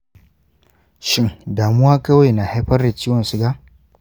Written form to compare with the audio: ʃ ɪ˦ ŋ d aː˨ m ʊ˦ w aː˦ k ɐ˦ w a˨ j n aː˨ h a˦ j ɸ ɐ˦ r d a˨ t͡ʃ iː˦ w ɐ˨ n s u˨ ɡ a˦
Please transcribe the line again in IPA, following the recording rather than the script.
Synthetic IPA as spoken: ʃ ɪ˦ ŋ d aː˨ m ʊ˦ w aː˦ k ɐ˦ w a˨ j n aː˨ h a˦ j ɸ ɐ˦ r d a˨ t͡ʃ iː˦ w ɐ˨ n s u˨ ɡ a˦